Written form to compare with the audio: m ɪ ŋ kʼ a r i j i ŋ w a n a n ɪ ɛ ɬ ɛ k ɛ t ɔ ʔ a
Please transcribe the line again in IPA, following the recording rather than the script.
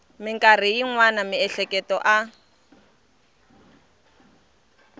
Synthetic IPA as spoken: m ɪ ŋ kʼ a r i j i ŋ w a n a m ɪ ɛ ɬ ɛ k ɛ t ɔ ʔ a